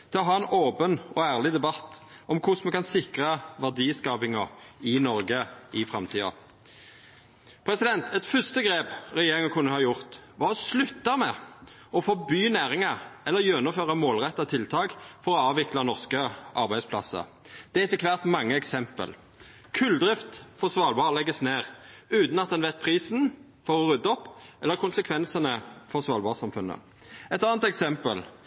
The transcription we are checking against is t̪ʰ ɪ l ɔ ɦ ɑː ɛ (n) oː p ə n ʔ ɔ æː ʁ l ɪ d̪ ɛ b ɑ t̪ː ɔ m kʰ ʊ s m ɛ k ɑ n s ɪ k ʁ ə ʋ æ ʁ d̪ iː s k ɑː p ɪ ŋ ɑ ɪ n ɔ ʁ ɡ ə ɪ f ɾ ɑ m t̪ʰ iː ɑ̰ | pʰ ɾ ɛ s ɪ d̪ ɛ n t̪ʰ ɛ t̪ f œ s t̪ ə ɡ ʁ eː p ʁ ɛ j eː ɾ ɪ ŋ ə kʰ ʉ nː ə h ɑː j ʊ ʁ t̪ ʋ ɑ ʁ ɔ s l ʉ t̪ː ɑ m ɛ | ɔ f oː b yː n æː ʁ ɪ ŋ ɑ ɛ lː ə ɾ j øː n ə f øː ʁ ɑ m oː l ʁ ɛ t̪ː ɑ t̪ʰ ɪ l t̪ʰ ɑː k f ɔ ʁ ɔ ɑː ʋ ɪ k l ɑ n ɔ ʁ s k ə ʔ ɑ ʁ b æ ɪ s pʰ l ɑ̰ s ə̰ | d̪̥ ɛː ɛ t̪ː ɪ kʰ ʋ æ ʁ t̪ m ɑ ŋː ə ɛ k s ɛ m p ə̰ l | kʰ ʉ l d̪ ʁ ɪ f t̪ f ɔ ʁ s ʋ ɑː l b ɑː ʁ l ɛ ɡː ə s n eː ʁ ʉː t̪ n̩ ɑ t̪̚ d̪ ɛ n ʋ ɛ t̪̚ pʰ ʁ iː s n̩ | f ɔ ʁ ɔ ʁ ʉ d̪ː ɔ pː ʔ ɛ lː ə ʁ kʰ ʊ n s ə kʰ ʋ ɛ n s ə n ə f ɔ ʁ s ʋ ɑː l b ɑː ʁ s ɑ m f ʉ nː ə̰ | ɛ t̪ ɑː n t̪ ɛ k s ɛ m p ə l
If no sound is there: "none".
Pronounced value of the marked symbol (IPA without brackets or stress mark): n